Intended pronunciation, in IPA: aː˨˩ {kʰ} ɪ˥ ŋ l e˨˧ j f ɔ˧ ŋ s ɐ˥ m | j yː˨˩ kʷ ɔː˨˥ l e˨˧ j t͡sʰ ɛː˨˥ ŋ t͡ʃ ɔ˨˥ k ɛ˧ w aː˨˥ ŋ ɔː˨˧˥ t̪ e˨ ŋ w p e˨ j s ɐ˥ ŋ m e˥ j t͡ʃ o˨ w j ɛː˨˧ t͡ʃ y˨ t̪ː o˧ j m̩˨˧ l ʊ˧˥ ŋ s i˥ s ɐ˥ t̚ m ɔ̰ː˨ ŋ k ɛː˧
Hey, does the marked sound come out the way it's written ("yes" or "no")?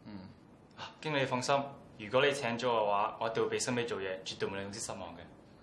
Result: no